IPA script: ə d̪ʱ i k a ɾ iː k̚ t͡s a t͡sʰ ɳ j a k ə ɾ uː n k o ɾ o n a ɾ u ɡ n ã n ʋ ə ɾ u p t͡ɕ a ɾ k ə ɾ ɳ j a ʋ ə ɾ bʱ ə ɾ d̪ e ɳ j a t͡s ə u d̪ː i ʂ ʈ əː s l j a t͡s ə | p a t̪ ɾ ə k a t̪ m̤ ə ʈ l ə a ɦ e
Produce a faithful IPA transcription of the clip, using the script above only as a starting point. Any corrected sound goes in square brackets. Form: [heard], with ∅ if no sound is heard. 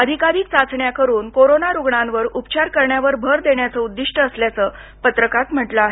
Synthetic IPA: ə d̪ʱ i k a ɾ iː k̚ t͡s a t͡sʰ ɳ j a k ə ɾ uː n k o ɾ o n a ɾ u ɡ [ɳ] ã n ʋ ə ɾ u p t͡ɕ a ɾ k ə ɾ ɳ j a ʋ ə ɾ bʱ ə ɾ d̪ e ɳ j a t͡s ə u d̪ː i ʂ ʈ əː s l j a t͡s ə | p [ə] t̪ ɾ ə k a t̪ m̤ ə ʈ l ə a ɦ e

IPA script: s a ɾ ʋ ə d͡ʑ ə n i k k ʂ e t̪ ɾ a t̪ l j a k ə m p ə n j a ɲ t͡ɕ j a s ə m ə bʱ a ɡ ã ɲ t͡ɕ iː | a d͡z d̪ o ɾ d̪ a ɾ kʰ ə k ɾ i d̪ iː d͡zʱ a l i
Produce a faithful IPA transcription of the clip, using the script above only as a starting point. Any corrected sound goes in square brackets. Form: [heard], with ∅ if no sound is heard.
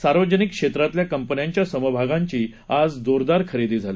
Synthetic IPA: s a ɾ ʋ ə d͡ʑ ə n i k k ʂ e t̪ ɾ a t̪ l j a k ə m p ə n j a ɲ t͡ɕ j a s ə m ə bʱ a ɡ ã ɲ t͡ɕ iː | a d͡z d̪ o ɾ d̪ a ɾ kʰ ə [∅] ɾ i d̪ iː d͡zʱ a l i

